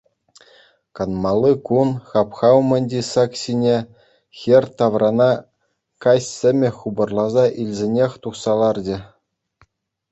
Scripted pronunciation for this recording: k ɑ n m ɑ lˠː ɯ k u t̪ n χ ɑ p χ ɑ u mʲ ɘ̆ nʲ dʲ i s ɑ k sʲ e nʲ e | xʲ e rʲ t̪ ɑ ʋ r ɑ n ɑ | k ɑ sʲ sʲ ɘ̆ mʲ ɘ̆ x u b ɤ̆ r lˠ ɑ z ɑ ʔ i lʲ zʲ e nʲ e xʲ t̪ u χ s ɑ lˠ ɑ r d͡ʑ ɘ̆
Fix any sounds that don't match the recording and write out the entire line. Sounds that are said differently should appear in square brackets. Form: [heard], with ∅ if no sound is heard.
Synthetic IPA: k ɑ n m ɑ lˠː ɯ k u [∅] n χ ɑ p χ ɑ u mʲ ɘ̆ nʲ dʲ i s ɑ k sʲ [i] nʲ e | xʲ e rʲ t̪ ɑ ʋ r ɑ n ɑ | k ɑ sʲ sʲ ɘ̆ mʲ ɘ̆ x u b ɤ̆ r lˠ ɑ z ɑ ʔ i lʲ zʲ e nʲ e xʲ t̪ u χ s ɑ lˠ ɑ r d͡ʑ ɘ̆